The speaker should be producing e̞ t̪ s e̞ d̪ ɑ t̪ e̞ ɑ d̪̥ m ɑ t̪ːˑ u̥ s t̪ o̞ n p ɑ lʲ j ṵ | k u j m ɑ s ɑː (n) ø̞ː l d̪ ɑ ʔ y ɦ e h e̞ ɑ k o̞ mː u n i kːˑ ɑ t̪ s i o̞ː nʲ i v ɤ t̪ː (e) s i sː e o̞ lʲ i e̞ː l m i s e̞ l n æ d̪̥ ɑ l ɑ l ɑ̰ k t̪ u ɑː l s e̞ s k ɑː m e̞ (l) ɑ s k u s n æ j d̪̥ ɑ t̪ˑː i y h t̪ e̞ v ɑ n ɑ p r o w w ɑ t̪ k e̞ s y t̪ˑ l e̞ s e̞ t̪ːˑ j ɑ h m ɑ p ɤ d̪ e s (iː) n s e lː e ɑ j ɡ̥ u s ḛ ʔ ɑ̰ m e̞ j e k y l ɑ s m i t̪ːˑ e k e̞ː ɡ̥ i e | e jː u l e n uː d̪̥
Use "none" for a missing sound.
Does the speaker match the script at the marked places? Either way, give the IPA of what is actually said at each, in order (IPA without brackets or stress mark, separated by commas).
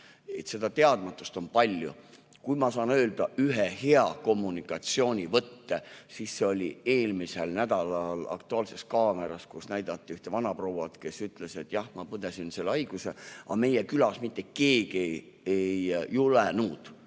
n, e, ɾ, i